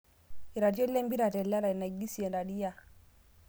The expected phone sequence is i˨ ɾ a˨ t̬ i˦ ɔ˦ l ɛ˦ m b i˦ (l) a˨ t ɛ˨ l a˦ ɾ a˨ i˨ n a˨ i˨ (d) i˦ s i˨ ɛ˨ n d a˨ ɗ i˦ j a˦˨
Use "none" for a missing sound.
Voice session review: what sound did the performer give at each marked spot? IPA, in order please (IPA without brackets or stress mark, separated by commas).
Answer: ɾ, ɡ